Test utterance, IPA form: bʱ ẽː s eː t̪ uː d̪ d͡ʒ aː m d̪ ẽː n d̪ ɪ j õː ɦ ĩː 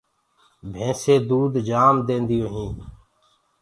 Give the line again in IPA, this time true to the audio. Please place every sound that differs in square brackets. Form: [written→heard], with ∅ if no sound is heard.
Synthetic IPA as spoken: bʱ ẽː s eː [t̪→d̪] uː d̪ d͡ʒ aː m d̪ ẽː n d̪ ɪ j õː ɦ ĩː

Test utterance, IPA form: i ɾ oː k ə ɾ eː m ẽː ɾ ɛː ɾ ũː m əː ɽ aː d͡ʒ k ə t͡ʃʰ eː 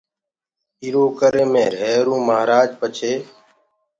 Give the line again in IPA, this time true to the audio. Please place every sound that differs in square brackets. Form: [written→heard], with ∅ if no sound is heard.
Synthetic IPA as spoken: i ɾ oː k ə ɾ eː m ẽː ɾ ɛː ɾ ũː m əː [ɽ→ɾ] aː d͡ʒ [k→p] ə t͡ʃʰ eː

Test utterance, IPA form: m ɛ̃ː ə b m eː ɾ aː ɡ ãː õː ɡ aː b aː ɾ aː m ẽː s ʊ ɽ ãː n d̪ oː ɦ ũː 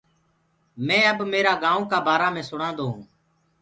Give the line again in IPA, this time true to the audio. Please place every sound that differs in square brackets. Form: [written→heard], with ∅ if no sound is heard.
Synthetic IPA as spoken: m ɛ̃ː ə b m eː ɾ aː ɡ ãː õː [ɡ→k] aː b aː ɾ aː m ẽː s ʊ ɽ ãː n d̪ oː ɦ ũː

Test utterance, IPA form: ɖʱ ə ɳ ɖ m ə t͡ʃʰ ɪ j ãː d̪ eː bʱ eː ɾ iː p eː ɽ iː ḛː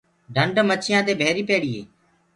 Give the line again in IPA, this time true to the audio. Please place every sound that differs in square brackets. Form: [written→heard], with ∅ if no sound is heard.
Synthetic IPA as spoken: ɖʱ ə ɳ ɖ m ə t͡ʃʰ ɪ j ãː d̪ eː bʱ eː ɾ iː p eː ɽ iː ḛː

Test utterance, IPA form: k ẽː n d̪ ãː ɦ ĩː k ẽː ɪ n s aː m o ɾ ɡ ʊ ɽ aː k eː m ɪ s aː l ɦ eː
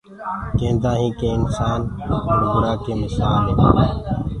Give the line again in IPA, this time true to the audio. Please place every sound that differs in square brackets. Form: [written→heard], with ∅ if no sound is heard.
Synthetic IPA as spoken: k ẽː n d̪ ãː ɦ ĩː k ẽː ɪ n s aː [m→n] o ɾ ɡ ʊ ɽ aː k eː m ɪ s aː l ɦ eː

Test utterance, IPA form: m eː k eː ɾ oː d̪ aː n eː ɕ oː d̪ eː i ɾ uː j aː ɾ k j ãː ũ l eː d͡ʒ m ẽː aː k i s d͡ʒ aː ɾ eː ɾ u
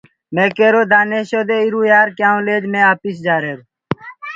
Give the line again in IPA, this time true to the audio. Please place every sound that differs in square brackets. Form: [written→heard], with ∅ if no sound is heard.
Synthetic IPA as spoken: m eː k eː ɾ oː d̪ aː n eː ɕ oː d̪ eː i ɾ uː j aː ɾ k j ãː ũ l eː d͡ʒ m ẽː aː [k→p] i s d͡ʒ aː ɾ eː ɾ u

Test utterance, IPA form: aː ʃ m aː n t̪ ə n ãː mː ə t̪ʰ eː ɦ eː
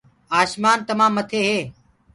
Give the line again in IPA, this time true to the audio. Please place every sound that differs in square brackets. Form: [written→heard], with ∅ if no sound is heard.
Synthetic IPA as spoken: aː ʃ m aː n t̪ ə [n→m] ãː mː ə t̪ʰ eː ɦ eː

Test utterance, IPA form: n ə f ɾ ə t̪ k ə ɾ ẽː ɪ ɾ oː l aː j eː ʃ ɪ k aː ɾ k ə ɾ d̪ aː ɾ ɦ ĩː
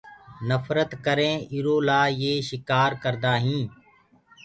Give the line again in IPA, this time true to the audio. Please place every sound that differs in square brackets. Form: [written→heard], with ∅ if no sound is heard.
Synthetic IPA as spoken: n ə f ɾ ə t̪ k ə ɾ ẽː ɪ ɾ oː l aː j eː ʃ ɪ k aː ɾ k ə ɾ d̪ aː [ɾ→∅] ɦ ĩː

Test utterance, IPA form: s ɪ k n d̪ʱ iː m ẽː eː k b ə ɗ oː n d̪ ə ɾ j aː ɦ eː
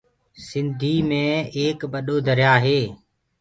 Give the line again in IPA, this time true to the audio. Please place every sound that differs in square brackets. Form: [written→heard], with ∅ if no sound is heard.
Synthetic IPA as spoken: s ɪ [k→∅] n d̪ʱ iː m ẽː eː k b ə ɗ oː [n→∅] d̪ ə ɾ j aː ɦ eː

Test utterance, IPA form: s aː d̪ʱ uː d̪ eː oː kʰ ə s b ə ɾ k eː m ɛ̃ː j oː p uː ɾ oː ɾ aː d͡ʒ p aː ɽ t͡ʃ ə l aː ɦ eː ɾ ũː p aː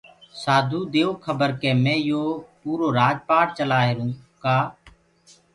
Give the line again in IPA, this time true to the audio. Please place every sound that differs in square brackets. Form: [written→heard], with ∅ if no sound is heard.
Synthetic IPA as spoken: s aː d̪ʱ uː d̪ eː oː kʰ ə [s→∅] b ə ɾ k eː m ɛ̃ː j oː p uː ɾ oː ɾ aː d͡ʒ p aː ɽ t͡ʃ ə l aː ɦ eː ɾ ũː [p→k] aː

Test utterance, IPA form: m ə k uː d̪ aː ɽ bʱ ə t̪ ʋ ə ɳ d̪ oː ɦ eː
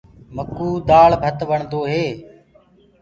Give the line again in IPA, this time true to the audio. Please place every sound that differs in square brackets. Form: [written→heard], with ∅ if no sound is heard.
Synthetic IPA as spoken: m ə k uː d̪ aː [ɽ→ɭ] bʱ ə t̪ ʋ ə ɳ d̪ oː ɦ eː

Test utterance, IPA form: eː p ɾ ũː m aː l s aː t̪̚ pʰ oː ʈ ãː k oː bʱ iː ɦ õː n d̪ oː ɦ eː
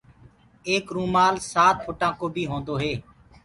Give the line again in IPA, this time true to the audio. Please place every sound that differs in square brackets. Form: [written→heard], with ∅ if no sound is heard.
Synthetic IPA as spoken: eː [p→k] ɾ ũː m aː l s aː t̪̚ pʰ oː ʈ ãː k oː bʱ iː ɦ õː n d̪ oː ɦ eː

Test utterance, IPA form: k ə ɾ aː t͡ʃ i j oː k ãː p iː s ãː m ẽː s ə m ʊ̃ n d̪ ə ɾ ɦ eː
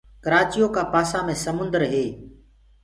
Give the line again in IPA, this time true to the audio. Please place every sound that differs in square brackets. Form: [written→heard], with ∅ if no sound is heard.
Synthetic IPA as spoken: k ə ɾ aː t͡ʃ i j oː k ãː p [iː→aː] s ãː m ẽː s ə m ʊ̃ n d̪ ə ɾ ɦ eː

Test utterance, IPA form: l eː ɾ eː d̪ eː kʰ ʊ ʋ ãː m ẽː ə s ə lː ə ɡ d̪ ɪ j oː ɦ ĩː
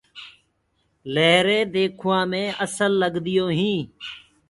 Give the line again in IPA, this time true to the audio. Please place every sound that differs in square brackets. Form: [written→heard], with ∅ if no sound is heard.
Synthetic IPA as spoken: l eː ɾ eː d̪ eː kʰ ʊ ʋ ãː m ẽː ə s ə lː ə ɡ d̪ ɪ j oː ɦ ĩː

